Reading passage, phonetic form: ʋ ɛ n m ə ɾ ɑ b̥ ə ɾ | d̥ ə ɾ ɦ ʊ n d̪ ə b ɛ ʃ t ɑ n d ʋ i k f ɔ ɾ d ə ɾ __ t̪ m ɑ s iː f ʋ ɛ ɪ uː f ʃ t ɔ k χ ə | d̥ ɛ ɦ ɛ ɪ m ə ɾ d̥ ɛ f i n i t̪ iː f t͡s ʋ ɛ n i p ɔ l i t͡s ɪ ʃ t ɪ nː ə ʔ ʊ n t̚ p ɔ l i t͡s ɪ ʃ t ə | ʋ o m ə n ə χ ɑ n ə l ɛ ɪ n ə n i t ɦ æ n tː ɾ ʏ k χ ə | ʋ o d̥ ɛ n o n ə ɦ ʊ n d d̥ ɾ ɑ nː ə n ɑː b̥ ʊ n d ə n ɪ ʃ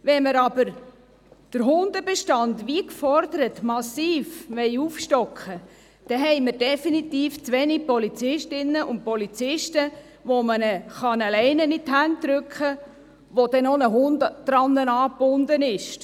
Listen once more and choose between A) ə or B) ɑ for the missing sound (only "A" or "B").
A